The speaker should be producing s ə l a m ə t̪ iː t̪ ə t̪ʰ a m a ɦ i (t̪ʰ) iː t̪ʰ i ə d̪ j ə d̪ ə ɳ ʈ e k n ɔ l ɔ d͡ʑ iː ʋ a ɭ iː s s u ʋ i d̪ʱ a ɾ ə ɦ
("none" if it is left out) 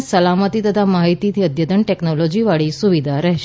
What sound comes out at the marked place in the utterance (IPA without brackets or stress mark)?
t̪